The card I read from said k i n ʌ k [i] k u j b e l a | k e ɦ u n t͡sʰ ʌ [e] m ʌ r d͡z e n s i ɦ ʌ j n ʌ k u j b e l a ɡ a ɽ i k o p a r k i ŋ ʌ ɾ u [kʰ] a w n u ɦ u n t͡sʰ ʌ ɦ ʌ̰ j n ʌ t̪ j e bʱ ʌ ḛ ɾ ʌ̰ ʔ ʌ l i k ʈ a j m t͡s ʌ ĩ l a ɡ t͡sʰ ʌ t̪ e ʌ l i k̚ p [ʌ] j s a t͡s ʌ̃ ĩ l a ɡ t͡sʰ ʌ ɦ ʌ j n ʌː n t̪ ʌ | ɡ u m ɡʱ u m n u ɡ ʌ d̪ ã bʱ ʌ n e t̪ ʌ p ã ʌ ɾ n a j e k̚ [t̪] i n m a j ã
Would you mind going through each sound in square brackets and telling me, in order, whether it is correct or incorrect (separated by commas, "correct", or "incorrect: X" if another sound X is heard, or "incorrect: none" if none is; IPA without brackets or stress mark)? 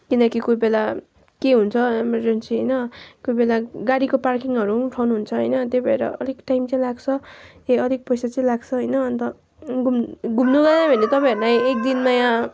correct, correct, incorrect: ʈʰ, correct, incorrect: d̪